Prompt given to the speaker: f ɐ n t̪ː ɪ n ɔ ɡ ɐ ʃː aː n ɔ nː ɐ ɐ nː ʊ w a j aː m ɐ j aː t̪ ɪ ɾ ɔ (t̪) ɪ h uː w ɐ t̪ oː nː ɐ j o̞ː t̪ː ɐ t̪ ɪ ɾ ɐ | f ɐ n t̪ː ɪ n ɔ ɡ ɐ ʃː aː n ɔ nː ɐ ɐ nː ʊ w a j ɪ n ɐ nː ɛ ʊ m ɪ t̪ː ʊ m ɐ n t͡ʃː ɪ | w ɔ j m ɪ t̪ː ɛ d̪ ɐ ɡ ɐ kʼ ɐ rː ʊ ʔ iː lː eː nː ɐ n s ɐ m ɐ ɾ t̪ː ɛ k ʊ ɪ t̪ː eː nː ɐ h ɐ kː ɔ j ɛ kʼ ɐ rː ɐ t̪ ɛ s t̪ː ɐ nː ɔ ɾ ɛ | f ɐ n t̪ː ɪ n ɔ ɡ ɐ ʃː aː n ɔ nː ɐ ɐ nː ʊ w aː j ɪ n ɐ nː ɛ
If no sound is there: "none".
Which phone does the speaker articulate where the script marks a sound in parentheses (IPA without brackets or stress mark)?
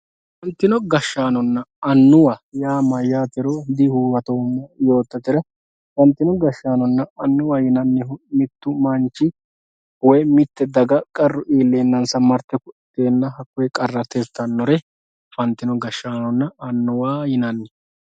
d̪